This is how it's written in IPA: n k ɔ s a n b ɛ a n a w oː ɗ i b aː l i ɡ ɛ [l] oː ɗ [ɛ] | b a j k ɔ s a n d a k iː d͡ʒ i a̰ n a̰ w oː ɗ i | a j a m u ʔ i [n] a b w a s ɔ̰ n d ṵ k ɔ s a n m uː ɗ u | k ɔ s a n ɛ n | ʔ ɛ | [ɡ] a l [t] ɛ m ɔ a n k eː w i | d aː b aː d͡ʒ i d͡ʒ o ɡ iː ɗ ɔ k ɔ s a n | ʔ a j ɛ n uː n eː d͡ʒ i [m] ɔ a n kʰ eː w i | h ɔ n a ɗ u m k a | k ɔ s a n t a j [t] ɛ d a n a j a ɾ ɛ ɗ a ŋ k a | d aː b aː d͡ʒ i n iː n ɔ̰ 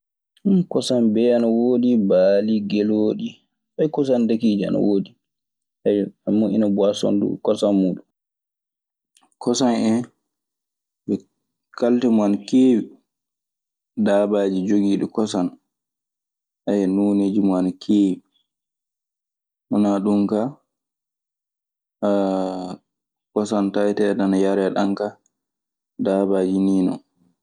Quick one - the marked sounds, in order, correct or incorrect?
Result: correct, incorrect, correct, incorrect, correct, correct, correct

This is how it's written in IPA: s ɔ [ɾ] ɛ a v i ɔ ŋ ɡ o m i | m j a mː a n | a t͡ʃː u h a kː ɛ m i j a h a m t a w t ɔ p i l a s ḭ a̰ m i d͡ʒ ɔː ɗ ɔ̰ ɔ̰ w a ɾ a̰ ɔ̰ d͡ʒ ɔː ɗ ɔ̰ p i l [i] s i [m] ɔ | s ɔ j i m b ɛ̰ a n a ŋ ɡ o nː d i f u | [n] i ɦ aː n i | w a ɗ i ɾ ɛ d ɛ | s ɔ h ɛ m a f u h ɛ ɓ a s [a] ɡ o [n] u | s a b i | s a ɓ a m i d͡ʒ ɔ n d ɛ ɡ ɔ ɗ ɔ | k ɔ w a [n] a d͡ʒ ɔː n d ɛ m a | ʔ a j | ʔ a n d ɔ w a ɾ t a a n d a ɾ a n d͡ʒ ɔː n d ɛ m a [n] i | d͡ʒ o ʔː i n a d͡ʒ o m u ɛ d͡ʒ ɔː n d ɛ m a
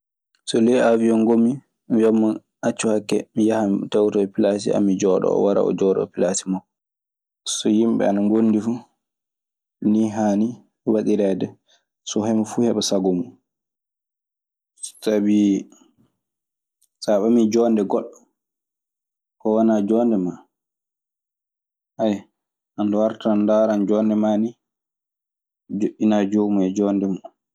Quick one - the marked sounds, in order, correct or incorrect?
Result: incorrect, incorrect, correct, correct, correct, incorrect, correct, correct

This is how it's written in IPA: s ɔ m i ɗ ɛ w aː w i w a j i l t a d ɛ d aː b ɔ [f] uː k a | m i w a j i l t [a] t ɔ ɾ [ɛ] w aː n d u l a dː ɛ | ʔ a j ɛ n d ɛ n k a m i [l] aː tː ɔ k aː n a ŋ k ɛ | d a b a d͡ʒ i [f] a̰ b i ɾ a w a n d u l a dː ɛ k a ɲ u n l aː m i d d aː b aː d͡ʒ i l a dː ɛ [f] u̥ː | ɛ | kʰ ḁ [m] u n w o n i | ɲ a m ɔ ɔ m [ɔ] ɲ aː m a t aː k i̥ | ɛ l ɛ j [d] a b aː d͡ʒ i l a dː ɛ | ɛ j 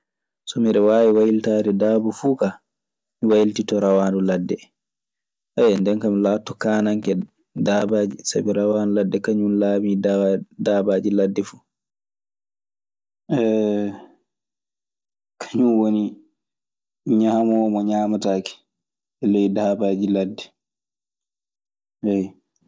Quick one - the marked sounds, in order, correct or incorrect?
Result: correct, incorrect, incorrect, correct, incorrect, correct, incorrect, correct, correct

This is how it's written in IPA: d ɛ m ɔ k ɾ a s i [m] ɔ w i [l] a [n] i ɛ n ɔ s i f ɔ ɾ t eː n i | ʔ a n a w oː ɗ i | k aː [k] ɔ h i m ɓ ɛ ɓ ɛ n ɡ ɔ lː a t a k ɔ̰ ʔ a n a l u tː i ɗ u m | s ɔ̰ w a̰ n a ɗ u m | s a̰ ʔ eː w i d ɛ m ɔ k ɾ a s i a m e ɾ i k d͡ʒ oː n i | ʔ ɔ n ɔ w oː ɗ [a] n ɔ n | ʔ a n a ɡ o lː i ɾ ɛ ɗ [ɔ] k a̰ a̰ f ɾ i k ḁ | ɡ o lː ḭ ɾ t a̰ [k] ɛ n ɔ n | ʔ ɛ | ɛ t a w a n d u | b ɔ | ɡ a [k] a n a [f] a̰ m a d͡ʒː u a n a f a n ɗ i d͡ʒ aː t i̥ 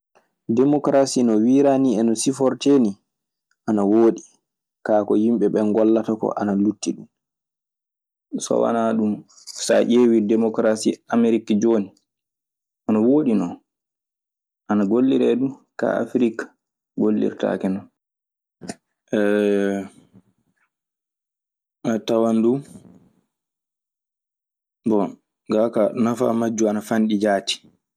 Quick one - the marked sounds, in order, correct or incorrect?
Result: incorrect, incorrect, correct, correct, incorrect, incorrect, correct, correct, correct

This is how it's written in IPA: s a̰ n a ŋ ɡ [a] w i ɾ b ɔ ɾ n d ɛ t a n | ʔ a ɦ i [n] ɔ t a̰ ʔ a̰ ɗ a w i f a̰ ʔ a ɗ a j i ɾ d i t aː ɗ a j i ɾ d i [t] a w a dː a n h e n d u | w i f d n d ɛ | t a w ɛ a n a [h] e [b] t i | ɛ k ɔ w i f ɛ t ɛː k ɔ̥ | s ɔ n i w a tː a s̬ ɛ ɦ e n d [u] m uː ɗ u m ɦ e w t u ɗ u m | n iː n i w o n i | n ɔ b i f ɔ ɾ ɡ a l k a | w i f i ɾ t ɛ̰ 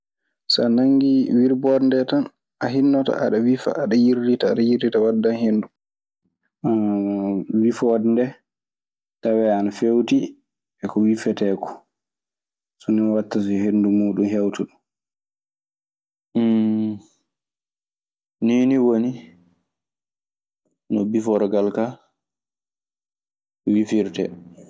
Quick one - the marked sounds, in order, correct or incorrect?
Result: incorrect, incorrect, correct, incorrect, incorrect, correct

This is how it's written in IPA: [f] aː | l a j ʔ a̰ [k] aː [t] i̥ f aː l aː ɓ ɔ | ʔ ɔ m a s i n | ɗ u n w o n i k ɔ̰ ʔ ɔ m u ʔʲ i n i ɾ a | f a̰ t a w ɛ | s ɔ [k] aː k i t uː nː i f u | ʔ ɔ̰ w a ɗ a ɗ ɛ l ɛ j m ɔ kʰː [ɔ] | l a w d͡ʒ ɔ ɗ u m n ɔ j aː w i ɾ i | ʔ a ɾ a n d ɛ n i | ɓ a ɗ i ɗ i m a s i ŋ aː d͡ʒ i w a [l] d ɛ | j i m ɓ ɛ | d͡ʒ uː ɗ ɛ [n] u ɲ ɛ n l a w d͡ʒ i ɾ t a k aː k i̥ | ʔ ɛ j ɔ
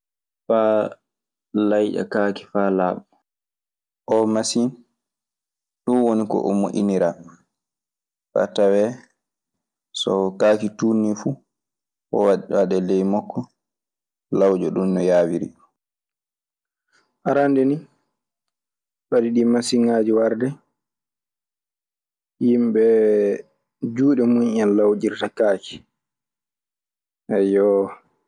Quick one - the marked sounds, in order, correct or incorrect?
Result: correct, correct, incorrect, correct, correct, incorrect, incorrect

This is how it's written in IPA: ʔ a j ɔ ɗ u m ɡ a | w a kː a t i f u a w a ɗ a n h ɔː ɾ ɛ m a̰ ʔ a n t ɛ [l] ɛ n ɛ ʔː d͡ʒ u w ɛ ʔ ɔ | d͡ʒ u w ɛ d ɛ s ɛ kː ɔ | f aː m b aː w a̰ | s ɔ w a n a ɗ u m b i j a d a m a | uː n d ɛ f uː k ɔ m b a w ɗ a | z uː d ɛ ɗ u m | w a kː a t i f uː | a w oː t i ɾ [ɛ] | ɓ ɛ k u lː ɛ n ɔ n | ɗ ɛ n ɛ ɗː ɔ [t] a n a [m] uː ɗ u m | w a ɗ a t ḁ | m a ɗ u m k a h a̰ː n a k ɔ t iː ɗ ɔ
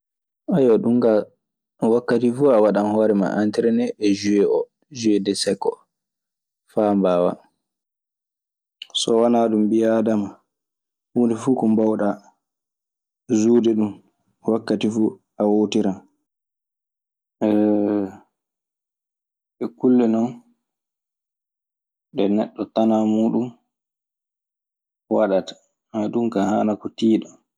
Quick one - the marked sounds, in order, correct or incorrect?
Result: incorrect, incorrect, correct, correct

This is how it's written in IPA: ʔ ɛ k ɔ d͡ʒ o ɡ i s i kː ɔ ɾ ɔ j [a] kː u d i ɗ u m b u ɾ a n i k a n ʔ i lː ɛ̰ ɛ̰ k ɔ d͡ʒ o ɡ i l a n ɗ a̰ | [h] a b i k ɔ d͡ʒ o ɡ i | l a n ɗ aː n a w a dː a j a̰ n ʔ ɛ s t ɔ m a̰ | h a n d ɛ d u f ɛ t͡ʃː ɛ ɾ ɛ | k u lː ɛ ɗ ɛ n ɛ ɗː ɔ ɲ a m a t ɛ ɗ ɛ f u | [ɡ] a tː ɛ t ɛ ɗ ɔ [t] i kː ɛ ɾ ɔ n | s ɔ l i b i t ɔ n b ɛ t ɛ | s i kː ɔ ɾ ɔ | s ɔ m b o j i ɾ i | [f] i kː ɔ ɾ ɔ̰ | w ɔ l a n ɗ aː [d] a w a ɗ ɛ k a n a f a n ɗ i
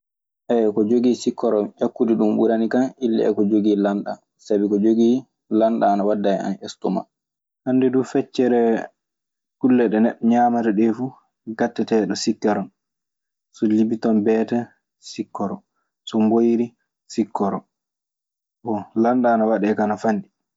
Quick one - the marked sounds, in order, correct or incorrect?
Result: correct, incorrect, correct, incorrect, incorrect, incorrect

